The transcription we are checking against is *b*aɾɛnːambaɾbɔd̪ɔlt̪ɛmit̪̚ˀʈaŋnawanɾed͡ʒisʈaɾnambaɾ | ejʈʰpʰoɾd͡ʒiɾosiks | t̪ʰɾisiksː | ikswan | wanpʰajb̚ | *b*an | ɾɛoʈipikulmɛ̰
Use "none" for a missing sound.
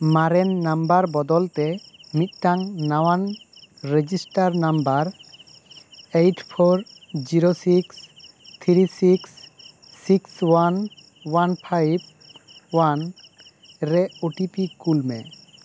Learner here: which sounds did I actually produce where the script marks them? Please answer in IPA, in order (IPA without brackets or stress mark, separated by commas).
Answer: m, w